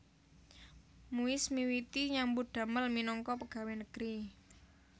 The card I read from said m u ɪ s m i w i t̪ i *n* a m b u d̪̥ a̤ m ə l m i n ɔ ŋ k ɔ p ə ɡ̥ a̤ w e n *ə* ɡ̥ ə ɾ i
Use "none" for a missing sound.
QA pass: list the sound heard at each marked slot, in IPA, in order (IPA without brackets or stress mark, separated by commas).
ɲ, ə